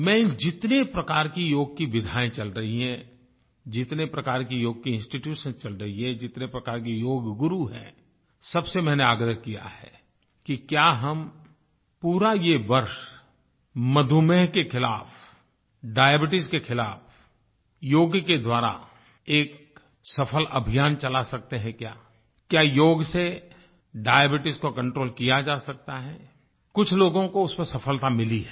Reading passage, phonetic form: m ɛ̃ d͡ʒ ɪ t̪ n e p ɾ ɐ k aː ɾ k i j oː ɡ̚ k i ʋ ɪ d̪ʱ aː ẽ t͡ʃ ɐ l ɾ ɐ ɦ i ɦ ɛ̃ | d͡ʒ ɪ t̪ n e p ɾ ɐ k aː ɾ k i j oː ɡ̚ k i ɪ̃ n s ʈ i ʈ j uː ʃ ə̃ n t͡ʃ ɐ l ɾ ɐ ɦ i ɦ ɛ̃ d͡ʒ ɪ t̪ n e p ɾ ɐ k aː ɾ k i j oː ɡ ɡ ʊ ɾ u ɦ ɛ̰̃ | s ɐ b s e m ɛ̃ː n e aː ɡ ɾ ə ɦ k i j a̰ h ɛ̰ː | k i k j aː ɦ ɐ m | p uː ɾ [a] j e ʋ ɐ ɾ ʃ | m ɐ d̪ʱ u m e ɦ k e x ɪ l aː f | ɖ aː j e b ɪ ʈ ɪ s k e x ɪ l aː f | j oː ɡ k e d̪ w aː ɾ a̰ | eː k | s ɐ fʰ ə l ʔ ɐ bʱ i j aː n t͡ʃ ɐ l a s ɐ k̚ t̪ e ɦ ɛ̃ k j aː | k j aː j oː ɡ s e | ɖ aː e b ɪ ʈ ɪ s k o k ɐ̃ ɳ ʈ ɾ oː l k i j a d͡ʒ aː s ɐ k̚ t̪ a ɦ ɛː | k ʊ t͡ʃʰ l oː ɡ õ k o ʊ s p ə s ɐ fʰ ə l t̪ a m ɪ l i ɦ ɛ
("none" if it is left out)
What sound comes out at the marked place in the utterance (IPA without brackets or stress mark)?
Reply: a